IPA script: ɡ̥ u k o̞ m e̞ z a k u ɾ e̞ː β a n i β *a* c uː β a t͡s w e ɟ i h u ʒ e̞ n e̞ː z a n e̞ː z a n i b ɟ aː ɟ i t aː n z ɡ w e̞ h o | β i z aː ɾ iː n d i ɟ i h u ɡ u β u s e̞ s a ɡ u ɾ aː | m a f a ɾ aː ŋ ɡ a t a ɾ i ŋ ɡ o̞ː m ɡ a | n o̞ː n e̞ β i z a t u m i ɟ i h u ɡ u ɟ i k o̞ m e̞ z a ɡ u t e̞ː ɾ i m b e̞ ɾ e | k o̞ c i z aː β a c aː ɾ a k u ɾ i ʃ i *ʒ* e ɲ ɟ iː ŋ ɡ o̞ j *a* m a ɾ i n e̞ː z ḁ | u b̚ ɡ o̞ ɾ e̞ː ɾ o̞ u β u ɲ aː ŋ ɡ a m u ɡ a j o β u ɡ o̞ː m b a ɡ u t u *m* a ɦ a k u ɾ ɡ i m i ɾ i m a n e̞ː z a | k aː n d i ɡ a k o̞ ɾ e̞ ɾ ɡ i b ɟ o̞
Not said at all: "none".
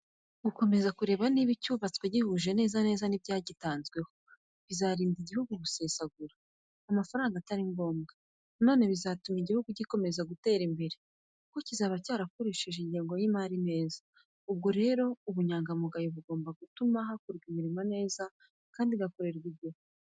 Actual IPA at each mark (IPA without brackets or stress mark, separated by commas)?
i, ʒ, i, m